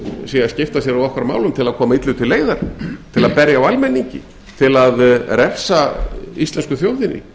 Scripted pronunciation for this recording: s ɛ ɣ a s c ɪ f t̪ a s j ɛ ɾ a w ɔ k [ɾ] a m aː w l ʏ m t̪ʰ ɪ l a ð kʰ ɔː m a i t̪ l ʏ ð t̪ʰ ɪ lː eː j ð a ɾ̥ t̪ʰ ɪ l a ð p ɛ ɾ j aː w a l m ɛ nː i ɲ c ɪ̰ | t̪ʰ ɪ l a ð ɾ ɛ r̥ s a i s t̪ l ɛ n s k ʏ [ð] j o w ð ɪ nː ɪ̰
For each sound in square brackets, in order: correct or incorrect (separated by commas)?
correct, incorrect